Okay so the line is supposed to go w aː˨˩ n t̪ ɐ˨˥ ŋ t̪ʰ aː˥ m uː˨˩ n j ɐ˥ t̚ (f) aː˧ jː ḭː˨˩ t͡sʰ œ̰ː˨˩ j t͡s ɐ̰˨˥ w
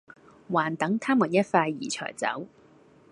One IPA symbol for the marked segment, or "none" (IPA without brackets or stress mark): f